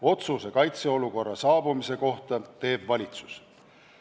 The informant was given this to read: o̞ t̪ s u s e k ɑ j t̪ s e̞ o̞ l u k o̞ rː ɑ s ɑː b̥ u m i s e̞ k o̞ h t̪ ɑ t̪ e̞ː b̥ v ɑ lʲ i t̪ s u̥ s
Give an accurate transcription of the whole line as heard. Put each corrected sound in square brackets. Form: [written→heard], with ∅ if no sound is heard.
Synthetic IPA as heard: o̞ t̪ s u s e k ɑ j t̪ s e̞ o̞ l u k o̞ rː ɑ s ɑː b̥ u m i s e̞ k o̞ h t̪ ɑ t̪ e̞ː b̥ v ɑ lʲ i t̪ s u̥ s